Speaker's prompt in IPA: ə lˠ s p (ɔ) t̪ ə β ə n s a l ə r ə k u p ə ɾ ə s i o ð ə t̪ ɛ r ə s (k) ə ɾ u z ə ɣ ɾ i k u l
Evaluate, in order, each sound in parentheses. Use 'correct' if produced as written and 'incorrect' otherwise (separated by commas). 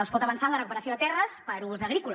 correct, incorrect